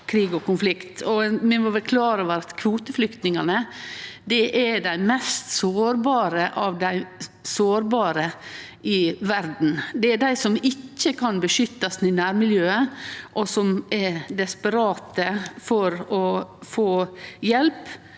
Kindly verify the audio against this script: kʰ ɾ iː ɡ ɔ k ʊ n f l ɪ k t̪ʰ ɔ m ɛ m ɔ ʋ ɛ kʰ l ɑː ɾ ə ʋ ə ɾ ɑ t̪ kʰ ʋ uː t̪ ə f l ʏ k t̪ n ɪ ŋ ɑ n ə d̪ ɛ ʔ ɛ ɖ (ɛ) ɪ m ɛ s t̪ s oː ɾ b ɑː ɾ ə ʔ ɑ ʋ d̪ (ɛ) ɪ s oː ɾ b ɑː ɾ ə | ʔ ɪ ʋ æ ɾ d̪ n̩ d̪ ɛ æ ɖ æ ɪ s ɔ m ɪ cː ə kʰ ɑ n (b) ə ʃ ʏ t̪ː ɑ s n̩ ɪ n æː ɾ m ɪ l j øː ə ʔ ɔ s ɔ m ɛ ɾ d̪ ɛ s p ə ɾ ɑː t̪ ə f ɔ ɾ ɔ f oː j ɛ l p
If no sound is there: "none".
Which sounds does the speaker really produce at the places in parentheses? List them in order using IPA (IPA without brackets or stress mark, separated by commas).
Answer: æ, æ, b